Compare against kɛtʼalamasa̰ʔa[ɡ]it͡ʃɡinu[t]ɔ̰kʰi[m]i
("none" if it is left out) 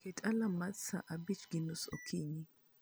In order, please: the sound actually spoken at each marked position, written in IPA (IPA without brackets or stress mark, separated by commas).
b, s, ɲ